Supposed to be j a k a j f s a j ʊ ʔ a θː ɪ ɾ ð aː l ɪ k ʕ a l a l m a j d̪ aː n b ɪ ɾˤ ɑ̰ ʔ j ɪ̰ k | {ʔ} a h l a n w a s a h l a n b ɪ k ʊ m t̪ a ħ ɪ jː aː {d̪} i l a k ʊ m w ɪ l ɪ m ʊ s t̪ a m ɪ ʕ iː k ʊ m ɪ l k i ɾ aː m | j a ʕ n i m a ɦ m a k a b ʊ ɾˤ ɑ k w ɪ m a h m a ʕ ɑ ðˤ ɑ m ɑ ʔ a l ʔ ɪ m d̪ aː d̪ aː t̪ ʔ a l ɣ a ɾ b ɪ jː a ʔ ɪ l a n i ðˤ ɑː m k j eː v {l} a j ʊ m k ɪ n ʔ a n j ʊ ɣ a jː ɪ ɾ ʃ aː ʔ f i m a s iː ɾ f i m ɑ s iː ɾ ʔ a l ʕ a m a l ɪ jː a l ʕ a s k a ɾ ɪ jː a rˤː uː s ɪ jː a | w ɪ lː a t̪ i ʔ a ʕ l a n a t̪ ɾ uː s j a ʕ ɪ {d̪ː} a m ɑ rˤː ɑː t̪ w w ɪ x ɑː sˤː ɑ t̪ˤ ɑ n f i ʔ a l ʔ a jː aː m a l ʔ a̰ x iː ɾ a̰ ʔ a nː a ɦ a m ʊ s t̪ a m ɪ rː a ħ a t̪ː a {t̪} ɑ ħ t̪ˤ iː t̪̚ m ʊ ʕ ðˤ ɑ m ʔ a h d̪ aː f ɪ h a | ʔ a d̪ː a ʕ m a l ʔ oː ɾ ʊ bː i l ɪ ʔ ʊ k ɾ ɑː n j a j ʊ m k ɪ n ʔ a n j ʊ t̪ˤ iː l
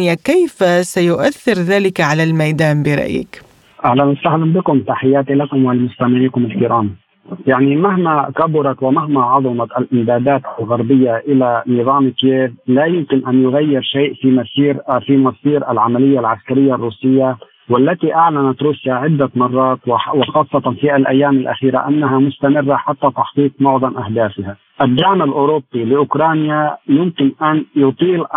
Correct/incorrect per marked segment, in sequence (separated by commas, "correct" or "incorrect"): correct, incorrect, correct, correct, correct